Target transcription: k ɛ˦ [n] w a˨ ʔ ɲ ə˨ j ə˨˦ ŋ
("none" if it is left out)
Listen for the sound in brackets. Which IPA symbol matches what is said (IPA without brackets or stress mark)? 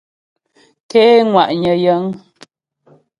ŋ